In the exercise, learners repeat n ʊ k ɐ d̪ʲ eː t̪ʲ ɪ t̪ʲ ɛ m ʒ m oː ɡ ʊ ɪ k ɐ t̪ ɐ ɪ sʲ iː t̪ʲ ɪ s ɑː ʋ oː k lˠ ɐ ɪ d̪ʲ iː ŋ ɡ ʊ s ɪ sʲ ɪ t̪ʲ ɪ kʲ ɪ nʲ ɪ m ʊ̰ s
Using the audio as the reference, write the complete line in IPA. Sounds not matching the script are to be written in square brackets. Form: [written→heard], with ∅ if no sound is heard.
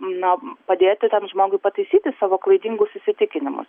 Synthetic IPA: n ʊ [k→p] ɐ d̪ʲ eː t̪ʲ ɪ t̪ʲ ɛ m ʒ m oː ɡ ʊ ɪ [k→p] ɐ t̪ ɐ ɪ sʲ iː t̪ʲ ɪ s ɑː ʋ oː k lˠ ɐ ɪ d̪ʲ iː ŋ ɡ ʊ s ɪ sʲ ɪ t̪ʲ ɪ kʲ ɪ nʲ ɪ m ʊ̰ s